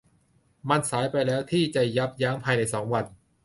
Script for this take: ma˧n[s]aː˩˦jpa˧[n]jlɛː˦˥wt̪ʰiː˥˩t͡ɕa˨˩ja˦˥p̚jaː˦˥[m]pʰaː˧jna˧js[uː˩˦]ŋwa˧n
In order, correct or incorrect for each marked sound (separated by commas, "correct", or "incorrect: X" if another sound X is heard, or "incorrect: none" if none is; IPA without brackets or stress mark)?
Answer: correct, incorrect: none, correct, incorrect: ɔː˩˦